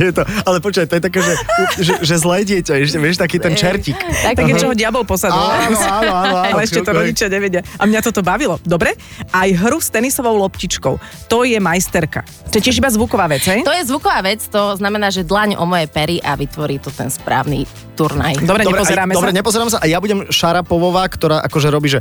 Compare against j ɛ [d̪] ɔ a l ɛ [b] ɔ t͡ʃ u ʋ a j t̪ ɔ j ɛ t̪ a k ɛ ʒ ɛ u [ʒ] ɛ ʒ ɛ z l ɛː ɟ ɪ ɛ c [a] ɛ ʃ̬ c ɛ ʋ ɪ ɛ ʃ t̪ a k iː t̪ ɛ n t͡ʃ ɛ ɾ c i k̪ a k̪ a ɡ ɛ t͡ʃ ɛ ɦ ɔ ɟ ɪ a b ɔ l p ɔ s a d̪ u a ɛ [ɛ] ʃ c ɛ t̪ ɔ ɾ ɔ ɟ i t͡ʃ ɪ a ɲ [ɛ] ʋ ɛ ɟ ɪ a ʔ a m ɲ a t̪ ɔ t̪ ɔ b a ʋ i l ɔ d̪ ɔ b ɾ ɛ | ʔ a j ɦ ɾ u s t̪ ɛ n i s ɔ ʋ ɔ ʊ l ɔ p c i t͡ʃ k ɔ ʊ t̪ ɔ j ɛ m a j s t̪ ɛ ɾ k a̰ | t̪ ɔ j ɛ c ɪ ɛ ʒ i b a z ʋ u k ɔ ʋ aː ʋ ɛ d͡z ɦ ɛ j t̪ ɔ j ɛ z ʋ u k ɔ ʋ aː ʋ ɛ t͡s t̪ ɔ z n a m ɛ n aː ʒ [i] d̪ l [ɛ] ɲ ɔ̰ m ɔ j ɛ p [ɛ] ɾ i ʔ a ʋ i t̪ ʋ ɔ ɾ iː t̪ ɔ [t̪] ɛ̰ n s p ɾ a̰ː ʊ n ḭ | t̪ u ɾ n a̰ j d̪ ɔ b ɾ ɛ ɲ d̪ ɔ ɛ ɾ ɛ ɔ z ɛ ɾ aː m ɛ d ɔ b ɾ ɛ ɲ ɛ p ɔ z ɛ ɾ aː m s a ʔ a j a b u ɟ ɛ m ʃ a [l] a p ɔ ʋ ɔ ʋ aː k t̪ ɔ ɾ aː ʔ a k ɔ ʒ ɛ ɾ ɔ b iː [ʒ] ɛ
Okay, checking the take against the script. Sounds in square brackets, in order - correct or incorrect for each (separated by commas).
incorrect, incorrect, correct, correct, correct, correct, incorrect, incorrect, correct, correct, incorrect, correct